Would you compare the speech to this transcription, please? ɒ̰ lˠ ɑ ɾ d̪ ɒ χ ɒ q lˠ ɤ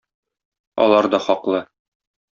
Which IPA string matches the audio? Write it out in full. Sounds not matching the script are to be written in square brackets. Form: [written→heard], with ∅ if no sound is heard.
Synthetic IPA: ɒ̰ lˠ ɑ ɾ d̪ ɒ χ ɒ q lˠ ɤ